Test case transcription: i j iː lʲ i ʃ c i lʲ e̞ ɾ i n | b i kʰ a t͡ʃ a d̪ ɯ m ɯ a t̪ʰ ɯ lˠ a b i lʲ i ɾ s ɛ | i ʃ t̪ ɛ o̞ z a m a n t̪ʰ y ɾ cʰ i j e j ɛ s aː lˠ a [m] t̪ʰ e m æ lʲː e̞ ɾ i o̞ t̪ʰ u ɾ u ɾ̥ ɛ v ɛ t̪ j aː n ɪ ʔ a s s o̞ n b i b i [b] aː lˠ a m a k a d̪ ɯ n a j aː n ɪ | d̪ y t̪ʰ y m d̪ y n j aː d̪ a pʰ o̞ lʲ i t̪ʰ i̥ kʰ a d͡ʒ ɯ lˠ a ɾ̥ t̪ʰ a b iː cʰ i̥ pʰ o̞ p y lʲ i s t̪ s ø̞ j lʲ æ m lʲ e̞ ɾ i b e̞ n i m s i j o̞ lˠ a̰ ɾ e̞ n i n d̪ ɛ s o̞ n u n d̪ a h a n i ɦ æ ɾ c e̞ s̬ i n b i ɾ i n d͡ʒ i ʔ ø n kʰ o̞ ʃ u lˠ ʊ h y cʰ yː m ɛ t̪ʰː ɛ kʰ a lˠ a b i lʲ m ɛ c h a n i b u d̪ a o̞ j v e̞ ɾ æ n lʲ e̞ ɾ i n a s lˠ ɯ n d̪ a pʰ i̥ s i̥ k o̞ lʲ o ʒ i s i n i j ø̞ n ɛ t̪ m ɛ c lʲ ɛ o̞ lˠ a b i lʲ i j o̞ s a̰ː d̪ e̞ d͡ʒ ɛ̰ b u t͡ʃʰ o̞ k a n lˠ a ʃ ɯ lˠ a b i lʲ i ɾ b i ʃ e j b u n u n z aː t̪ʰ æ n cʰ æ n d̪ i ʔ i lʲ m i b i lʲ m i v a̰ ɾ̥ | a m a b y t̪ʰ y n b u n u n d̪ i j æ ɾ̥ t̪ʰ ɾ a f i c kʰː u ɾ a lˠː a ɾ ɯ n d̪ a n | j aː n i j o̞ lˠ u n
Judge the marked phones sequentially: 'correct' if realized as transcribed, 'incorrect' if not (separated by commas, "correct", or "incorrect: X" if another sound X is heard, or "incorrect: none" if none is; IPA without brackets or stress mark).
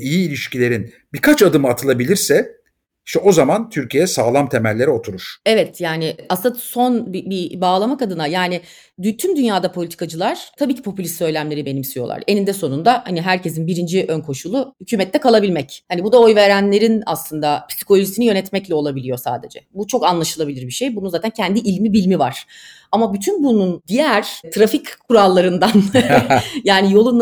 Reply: correct, correct